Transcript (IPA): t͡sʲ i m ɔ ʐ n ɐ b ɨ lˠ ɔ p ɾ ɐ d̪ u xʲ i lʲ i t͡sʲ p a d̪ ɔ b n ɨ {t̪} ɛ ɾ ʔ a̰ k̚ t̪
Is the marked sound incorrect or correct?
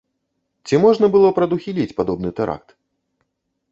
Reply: correct